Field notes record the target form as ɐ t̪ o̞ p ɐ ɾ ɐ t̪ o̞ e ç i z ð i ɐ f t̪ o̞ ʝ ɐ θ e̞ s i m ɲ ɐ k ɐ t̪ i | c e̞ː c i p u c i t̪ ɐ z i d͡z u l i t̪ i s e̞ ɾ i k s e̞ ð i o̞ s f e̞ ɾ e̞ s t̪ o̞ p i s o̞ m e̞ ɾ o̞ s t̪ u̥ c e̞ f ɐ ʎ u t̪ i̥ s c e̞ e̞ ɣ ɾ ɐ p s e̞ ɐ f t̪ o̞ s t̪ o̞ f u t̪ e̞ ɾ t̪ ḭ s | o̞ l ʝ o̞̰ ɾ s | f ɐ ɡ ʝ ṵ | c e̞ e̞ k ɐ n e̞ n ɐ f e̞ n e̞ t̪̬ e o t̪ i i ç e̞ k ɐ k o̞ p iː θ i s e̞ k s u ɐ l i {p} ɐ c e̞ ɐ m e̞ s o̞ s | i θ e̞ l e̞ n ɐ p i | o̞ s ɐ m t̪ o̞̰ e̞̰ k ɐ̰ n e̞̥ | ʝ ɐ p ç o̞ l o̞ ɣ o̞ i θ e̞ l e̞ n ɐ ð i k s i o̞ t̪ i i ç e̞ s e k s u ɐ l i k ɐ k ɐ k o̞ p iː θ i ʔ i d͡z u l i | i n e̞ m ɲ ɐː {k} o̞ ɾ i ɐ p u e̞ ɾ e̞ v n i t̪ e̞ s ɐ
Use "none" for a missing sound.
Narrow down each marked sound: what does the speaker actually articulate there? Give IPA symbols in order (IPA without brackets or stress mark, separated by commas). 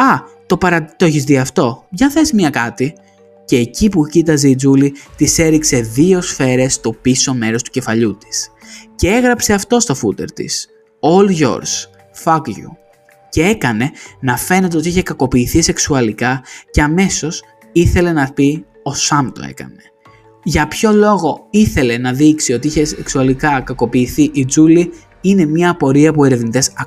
k, p